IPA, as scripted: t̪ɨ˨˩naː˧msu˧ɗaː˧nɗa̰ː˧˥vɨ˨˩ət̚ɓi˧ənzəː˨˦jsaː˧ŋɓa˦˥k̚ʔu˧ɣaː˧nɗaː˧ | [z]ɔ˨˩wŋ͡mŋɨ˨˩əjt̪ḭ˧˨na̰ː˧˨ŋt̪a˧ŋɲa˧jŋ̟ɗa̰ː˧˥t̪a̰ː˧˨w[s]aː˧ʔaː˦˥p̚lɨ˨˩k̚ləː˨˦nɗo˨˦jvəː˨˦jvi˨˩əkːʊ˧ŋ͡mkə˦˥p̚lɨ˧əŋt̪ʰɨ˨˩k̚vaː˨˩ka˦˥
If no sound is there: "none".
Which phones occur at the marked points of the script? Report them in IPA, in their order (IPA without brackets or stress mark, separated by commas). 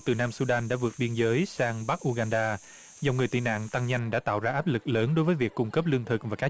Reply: z, z